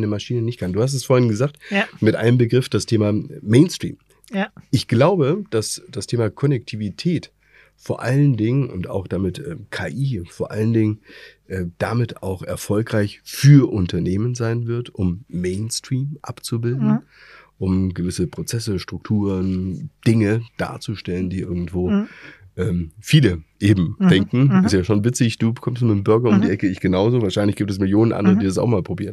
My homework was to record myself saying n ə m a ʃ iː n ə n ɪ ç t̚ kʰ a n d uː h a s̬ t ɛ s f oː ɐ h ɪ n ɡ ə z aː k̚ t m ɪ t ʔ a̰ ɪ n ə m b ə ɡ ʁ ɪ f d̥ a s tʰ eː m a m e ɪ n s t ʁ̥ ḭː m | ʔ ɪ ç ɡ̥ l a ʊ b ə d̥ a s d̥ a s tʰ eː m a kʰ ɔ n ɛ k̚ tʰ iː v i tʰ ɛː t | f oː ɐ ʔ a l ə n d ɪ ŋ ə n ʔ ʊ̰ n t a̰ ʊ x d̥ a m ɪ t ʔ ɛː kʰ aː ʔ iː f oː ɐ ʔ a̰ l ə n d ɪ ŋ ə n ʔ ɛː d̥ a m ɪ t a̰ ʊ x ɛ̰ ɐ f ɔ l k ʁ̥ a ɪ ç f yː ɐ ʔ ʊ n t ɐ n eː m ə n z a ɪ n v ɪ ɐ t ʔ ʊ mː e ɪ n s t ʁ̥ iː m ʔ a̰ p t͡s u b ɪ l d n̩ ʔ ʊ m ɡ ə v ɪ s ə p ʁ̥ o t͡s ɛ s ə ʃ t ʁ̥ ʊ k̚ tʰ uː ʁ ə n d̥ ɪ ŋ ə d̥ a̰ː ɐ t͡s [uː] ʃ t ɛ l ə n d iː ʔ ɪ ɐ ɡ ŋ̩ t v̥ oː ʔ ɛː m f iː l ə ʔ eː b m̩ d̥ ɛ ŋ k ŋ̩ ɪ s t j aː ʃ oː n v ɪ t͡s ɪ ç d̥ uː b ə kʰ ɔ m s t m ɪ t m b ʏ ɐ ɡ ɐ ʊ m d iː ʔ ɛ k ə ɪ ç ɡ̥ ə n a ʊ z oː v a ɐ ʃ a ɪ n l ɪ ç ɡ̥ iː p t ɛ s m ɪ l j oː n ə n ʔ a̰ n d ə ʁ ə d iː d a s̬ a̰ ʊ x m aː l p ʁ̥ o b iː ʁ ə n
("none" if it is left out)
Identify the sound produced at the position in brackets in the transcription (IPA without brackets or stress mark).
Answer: u